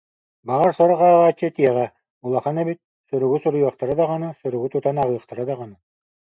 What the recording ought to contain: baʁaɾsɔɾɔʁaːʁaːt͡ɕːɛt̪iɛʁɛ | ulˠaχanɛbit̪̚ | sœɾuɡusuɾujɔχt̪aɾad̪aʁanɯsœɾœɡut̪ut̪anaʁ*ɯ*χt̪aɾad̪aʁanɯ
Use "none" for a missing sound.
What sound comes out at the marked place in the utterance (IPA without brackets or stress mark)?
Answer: ɯː